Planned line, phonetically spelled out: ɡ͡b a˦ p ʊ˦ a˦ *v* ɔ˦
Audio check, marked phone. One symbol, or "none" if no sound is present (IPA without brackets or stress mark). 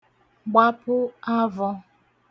v